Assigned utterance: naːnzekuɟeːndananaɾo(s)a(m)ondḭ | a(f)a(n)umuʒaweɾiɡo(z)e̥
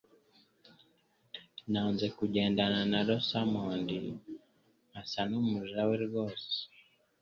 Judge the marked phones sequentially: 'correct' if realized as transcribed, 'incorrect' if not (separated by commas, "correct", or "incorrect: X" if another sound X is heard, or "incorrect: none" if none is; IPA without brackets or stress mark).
correct, correct, incorrect: s, correct, incorrect: s